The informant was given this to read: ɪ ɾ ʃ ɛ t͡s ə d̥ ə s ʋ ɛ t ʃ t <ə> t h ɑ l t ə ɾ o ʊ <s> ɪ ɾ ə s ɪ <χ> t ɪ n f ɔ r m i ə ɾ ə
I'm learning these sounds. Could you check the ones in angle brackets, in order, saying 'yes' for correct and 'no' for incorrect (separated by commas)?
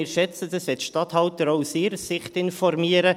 no, yes, yes